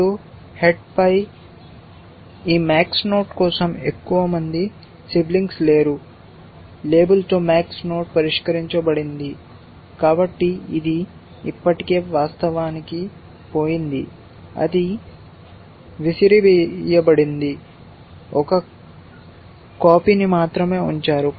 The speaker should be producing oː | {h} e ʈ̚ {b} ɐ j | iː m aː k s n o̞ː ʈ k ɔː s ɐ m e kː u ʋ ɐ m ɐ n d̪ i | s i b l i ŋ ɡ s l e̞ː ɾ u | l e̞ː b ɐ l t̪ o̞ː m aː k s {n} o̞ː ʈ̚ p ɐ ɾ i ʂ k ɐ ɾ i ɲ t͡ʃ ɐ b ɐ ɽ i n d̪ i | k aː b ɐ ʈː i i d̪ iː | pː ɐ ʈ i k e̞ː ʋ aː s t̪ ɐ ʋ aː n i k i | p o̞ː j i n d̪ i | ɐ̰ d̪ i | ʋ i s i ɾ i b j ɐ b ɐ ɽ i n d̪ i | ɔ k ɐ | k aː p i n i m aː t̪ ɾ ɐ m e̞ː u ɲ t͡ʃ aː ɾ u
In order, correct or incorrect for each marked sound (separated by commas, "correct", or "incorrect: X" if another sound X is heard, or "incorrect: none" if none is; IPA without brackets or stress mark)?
correct, incorrect: p, correct